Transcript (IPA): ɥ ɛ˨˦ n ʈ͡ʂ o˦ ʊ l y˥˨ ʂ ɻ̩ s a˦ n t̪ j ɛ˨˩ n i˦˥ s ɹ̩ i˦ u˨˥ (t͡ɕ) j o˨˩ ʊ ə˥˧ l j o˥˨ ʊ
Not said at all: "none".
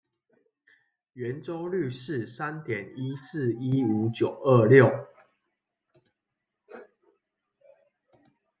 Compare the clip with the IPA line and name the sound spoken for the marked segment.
t͡ɕ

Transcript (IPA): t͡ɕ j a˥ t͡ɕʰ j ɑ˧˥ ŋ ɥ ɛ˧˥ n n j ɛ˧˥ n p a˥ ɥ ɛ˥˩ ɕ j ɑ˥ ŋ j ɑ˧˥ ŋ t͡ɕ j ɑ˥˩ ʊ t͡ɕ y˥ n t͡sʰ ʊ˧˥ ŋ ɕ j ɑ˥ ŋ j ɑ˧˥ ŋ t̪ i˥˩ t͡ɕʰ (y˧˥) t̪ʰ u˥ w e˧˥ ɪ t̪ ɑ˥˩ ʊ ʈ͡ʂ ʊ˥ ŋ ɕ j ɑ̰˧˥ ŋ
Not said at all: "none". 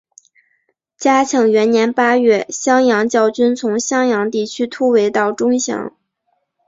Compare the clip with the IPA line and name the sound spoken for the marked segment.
y˥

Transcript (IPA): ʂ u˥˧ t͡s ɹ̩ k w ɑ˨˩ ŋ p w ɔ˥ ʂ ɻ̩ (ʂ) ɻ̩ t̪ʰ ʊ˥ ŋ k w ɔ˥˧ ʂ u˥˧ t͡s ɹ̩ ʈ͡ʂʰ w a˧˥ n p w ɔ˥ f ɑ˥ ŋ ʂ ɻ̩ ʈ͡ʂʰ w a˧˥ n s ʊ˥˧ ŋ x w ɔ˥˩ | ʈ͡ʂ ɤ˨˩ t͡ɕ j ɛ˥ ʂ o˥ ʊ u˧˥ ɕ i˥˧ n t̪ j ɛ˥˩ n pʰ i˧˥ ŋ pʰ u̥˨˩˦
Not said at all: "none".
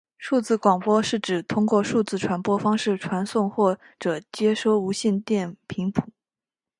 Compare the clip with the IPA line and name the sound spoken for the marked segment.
ʈ͡ʂ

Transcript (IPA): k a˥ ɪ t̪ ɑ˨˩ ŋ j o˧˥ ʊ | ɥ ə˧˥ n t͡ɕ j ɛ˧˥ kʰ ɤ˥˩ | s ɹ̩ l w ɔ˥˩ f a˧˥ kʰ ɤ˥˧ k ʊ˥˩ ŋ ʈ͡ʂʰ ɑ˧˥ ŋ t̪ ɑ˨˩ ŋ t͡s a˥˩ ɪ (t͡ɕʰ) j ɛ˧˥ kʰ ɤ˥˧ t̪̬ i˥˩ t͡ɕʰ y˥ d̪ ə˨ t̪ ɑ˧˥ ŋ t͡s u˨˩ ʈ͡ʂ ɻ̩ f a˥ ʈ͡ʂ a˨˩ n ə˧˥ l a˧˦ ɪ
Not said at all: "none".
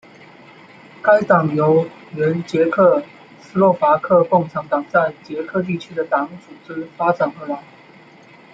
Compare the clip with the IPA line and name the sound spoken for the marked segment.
t͡ɕ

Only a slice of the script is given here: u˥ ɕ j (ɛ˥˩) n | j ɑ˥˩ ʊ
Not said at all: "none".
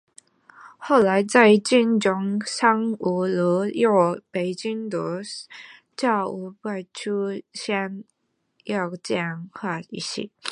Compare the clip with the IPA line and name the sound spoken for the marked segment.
ɛ˥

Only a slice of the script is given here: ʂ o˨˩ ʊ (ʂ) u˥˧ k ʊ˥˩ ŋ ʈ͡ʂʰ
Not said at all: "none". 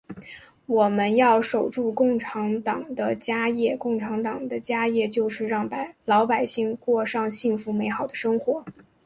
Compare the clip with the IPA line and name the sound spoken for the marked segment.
ʈ͡ʂ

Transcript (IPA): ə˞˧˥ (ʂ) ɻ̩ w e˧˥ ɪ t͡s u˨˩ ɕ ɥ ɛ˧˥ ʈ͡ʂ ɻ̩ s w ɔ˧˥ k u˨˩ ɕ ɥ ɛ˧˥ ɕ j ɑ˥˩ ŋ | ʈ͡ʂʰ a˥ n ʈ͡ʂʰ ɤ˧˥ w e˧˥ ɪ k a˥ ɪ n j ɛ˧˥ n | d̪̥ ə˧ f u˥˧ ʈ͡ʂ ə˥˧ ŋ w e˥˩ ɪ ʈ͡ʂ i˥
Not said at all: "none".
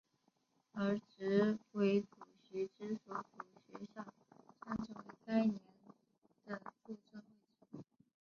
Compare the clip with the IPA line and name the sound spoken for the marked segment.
ʈ͡ʂ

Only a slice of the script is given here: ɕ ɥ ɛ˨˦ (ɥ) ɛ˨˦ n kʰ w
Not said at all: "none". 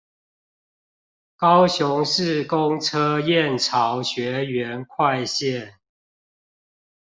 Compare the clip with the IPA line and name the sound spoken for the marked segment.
ɥ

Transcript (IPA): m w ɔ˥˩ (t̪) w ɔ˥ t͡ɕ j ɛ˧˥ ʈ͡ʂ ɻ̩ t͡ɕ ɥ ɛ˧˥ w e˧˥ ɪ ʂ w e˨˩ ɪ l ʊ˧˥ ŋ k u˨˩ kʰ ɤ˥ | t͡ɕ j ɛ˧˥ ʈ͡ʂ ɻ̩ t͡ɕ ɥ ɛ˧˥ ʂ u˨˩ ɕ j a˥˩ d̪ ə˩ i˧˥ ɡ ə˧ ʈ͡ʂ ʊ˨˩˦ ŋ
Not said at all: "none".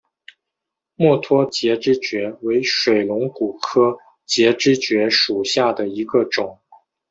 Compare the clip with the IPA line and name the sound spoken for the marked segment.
t̪ʰ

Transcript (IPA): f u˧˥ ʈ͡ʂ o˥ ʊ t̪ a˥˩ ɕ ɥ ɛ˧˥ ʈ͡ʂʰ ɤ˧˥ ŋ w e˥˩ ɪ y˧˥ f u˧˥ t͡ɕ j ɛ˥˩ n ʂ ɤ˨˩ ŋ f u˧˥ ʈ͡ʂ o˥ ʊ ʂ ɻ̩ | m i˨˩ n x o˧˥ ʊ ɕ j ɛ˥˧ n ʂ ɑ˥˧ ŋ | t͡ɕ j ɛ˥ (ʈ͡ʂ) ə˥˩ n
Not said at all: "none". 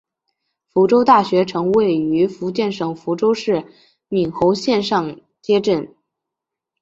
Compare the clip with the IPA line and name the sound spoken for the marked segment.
ʈ͡ʂ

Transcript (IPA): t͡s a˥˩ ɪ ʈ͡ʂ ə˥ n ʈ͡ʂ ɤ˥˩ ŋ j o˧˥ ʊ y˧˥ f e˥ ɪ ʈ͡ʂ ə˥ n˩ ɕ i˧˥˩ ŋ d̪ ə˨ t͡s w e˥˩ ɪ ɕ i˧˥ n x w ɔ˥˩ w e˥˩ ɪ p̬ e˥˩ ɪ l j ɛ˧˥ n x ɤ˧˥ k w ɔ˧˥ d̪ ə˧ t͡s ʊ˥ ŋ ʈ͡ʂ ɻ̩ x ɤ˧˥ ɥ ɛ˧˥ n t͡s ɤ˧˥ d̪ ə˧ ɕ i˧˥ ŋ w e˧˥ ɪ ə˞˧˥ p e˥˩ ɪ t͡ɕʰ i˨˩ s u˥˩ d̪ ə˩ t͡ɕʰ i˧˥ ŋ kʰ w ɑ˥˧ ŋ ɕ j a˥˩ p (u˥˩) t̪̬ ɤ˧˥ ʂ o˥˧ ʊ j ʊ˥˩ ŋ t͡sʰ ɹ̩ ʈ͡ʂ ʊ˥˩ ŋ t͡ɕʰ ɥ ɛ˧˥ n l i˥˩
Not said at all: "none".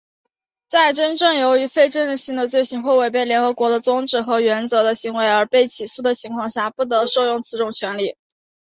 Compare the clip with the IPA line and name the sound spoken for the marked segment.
u˥˩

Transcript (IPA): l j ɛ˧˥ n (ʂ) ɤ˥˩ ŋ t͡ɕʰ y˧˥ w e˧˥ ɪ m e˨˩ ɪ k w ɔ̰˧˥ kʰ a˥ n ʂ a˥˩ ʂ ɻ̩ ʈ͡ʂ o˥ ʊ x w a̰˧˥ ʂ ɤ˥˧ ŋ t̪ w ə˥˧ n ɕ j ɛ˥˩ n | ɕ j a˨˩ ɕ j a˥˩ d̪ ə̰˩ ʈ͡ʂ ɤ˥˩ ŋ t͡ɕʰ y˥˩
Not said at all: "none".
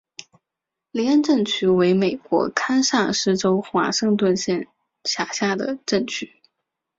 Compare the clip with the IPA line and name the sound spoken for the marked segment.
ʈ͡ʂ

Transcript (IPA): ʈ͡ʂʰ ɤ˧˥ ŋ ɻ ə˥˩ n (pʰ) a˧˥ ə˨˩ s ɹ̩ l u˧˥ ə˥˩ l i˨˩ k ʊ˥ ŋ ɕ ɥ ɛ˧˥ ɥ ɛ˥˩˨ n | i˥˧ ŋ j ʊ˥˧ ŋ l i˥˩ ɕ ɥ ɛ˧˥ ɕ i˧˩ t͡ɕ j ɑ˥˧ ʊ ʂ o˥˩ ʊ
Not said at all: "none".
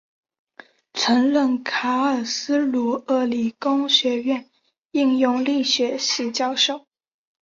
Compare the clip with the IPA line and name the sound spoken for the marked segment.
kʰ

